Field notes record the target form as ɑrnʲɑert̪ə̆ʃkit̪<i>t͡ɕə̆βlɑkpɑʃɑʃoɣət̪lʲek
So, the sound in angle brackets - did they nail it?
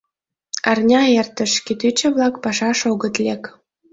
no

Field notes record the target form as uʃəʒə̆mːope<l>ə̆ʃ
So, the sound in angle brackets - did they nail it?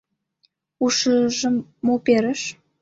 no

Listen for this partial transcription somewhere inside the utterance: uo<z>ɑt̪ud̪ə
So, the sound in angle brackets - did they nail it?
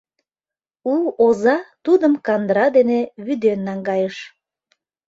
yes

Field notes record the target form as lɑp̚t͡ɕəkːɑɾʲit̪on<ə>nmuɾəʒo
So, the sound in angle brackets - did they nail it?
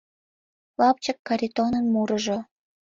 yes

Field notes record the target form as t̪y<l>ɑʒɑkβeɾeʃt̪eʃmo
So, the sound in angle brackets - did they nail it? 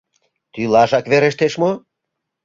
yes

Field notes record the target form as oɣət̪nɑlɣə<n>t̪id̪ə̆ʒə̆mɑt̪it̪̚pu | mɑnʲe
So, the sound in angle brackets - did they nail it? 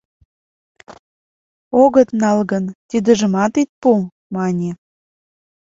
yes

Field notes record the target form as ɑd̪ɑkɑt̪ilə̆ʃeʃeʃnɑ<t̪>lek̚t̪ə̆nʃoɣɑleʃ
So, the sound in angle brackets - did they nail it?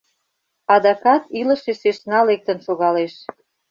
no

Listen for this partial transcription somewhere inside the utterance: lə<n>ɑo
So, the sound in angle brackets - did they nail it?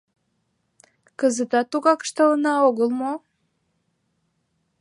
yes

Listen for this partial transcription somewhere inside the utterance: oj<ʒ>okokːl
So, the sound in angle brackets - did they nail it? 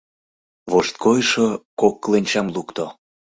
no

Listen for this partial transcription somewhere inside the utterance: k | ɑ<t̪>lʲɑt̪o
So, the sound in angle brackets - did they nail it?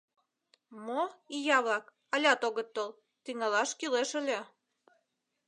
no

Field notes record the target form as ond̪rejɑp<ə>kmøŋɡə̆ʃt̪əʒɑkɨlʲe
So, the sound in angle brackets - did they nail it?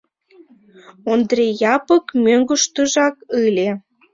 yes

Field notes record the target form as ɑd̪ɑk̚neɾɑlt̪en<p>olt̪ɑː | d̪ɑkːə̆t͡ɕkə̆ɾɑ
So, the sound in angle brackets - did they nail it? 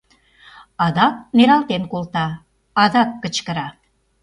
no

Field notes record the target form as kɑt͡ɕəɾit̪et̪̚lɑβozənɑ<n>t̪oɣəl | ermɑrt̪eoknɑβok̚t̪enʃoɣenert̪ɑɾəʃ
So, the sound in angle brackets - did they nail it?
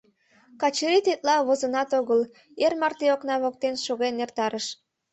no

